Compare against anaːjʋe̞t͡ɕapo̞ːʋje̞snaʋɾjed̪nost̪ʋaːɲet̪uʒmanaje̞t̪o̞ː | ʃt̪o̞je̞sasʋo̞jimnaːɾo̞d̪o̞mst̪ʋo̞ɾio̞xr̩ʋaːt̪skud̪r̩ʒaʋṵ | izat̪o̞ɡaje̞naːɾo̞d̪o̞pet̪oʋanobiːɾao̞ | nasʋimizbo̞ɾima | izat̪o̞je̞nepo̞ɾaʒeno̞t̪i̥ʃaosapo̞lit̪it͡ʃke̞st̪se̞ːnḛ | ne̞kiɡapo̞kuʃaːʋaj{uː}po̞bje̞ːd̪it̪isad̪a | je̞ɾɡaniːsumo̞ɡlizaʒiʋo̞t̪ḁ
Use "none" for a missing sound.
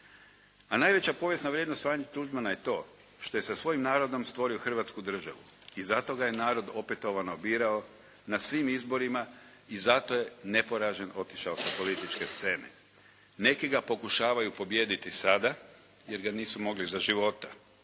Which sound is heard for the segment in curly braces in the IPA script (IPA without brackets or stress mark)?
u